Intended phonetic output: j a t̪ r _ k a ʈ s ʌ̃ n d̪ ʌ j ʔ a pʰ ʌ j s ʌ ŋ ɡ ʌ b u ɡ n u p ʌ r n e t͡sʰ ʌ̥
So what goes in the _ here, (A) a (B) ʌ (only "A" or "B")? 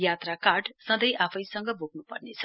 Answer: A